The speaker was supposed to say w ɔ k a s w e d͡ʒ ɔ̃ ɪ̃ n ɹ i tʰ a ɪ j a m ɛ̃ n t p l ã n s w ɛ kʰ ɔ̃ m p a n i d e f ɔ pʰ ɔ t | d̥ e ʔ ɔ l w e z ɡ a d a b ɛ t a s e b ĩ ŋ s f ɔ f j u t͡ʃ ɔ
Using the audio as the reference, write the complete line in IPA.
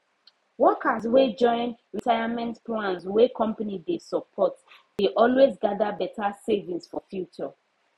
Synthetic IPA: w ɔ k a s w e d͡ʒ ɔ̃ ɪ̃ n ɹ i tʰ a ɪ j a m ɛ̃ n t p l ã n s w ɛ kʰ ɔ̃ m p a n i d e s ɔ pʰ ɔ t | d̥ e ʔ ɔ l w e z ɡ a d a b ɛ t a s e v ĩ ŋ s f ɔ f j u t͡ʃ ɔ